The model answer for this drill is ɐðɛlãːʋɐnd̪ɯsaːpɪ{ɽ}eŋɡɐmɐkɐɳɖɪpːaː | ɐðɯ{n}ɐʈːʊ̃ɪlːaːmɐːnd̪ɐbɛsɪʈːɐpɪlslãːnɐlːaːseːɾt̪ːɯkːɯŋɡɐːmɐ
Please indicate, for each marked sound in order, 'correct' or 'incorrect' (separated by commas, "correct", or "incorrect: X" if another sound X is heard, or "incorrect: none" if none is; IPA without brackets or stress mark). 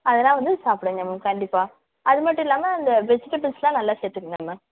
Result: correct, incorrect: m